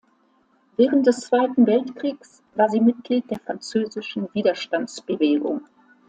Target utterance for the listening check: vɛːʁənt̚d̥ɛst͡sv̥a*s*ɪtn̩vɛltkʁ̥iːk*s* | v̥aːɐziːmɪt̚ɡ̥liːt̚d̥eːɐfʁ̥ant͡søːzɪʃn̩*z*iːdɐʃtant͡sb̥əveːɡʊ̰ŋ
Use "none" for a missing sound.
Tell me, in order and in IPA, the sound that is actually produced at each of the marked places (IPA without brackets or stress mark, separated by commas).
none, s, v